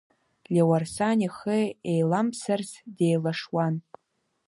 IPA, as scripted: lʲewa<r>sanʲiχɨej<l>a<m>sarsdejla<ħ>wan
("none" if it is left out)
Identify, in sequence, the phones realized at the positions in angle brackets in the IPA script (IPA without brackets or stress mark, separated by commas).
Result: r, l, m, ʂ